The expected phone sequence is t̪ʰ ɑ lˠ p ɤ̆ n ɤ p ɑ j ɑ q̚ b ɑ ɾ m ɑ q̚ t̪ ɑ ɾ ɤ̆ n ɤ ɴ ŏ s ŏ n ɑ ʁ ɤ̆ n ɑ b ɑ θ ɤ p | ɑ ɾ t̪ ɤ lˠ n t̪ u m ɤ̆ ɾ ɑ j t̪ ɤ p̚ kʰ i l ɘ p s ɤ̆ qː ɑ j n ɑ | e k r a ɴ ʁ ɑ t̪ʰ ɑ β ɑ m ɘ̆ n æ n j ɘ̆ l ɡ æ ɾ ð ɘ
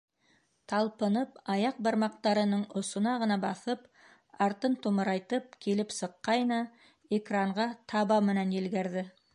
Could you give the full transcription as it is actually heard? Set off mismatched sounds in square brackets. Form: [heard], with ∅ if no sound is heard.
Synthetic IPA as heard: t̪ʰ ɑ lˠ p ɤ̆ n ɤ p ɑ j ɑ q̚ b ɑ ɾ m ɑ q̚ t̪ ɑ ɾ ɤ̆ n ɤ ɴ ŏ s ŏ n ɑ ʁ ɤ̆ n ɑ b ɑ θ ɤ p | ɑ ɾ t̪ ɤ [∅] n t̪ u m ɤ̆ ɾ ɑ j t̪ ɤ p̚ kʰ i l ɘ p s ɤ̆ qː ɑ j n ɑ | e k r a ɴ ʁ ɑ t̪ʰ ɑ β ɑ m ɘ̆ n æ n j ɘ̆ l ɡ æ ɾ ð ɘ